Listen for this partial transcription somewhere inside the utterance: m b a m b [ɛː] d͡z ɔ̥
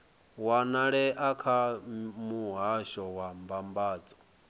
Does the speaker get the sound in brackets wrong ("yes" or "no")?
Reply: yes